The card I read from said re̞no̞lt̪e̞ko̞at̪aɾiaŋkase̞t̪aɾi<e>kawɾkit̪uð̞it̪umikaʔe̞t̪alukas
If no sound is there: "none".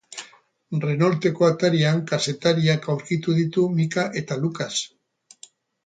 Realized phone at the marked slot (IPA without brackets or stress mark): a